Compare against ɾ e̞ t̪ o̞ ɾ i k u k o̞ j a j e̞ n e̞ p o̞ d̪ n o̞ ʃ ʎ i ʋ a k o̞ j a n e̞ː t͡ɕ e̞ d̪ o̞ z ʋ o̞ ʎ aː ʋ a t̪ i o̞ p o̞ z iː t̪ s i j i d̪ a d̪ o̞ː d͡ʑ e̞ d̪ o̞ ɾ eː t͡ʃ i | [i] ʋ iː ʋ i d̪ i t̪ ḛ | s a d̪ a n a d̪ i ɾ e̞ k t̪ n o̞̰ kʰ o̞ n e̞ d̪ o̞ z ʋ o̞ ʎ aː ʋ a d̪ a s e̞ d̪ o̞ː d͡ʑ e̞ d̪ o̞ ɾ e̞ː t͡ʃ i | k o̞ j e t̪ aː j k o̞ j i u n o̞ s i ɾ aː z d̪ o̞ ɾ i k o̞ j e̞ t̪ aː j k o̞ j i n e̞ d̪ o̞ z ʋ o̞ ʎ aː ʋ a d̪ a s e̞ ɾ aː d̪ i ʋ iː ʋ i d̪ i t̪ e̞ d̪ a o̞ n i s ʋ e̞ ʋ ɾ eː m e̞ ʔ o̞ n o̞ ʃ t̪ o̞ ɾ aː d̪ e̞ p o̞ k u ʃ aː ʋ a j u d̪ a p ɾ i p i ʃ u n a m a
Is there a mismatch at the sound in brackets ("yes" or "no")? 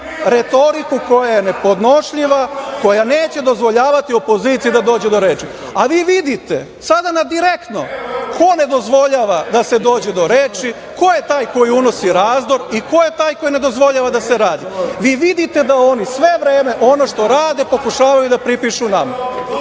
yes